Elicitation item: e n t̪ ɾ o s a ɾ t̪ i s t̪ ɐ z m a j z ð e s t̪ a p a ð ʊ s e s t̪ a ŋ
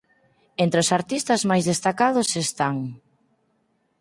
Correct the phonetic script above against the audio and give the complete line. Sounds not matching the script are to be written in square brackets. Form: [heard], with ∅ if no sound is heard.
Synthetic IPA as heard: e n t̪ ɾ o s a ɾ t̪ i s t̪ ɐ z m a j z ð e s t̪ a [k] a ð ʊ s e s t̪ a ŋ

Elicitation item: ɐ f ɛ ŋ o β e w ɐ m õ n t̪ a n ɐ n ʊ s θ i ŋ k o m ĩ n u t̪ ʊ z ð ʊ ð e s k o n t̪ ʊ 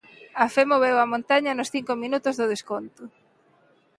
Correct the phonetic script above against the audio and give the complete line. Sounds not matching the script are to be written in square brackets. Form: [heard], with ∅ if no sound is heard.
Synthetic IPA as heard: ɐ f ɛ [m] o β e w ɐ m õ n t̪ a [ɲ] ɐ n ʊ s θ i ŋ k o m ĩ n u t̪ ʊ z ð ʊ ð e s k o n t̪ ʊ

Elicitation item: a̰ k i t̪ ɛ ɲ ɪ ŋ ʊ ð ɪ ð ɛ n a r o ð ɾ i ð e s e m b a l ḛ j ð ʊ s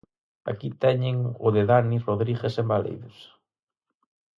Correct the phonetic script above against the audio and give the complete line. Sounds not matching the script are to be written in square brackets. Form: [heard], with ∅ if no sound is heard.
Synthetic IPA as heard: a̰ k i t̪ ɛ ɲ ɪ ŋ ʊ ð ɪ ð [a] n [i] r o ð ɾ i [ɣ] e s e m b a l ḛ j ð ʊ s

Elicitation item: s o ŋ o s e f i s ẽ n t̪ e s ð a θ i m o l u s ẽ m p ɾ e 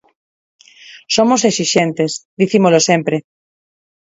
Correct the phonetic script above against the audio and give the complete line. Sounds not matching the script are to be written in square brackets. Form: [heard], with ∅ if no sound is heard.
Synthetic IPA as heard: s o [m] o s e [s] i [ʃ] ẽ n t̪ e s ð [i] θ i m o l [o] s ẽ m p ɾ e

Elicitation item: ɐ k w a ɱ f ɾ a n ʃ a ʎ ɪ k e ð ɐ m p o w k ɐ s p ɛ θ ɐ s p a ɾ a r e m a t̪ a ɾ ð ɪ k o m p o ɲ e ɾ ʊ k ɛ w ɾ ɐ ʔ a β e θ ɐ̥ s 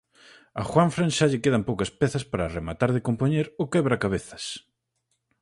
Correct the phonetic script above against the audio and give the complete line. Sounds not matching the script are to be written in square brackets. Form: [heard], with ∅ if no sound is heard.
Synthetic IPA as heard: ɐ [x] w a ɱ f ɾ a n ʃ a ʎ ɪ k e ð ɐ m p o w k ɐ s p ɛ θ ɐ s p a ɾ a r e m a t̪ a ɾ ð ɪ k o m p o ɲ e ɾ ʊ k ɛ [β] ɾ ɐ [k] a β e θ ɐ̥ s

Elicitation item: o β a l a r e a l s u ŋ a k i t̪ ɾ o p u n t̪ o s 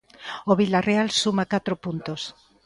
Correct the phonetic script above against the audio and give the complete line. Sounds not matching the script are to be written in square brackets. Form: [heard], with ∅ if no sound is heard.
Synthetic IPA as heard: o β [i] l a r e a l s u [m] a k [a] t̪ ɾ o p u n t̪ o s

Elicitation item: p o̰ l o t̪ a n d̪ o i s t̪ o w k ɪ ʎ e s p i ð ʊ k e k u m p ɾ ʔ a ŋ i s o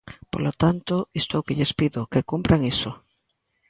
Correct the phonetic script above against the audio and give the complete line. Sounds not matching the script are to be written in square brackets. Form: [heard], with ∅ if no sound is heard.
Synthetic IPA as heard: p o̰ l o t̪ a n [t̪] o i s t̪ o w k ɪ ʎ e s p i ð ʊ k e k u m p ɾ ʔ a ŋ i s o

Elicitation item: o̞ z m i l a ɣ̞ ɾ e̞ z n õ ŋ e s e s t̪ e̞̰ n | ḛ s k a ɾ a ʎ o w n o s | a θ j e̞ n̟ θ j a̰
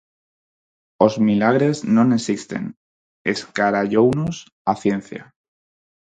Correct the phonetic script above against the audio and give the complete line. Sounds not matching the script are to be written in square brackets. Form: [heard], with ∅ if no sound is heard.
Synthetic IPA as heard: o̞ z m i l a ɣ̞ ɾ e̞ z n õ [n] e s [i] s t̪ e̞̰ n | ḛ s k a ɾ a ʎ o w n o s | a θ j e̞ n̟ θ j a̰

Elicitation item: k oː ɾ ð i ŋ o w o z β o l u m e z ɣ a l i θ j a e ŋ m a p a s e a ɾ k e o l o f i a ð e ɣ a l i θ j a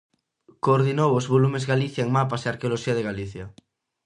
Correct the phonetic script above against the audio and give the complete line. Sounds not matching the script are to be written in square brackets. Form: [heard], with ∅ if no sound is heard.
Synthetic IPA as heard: k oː ɾ ð i [n] o w o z β o l u m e z ɣ a l i θ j a e ŋ m a p a s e a ɾ k e o l o [ʃ] i a ð e ɣ a l i θ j a

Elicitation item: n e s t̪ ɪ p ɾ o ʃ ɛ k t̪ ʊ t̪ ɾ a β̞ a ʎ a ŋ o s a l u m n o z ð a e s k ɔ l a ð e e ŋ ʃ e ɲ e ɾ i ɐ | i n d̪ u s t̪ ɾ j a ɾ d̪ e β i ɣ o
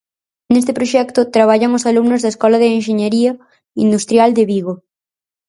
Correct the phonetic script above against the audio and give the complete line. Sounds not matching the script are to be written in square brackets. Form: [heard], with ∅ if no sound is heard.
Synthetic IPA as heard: n e s t̪ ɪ p ɾ o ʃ ɛ k t̪ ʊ t̪ ɾ a β̞ a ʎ a ŋ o s a l u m n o z ð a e s k ɔ l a ð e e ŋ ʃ e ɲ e ɾ i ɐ | i n d̪ u s t̪ ɾ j a [l] d̪ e β i ɣ o

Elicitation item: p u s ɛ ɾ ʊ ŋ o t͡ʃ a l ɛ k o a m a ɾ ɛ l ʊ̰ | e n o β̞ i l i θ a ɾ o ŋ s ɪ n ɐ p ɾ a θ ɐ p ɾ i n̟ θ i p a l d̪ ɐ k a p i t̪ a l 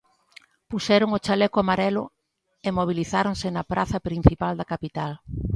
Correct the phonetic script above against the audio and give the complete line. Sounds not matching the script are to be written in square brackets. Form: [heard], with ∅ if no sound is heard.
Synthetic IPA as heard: p u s ɛ ɾ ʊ ŋ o t͡ʃ a l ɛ k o a m a ɾ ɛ l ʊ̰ | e [m] o β̞ i l i θ a ɾ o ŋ s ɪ n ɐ p ɾ a θ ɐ p ɾ i n̟ θ i p a l d̪ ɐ k a p i t̪ a l

